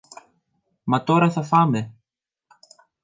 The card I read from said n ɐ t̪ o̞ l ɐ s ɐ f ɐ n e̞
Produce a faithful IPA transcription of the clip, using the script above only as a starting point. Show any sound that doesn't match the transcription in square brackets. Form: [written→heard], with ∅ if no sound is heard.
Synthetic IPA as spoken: [n→m] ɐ t̪ o̞ [l→ɾ] ɐ [s→θ] ɐ f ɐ [n→m] e̞